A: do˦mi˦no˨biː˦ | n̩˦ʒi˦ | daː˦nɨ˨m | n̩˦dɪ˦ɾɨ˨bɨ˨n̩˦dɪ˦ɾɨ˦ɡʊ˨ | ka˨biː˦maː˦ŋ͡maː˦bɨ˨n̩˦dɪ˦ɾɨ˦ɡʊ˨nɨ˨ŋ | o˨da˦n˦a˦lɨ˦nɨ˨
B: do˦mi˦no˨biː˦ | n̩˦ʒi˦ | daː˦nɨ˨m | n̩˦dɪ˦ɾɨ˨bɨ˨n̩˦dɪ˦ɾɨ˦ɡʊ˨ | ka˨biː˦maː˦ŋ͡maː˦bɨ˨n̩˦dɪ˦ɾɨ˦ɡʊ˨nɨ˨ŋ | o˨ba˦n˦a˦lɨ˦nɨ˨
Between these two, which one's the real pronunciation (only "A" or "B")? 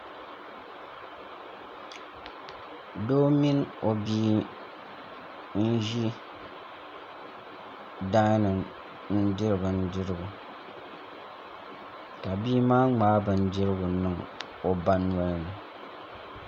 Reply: B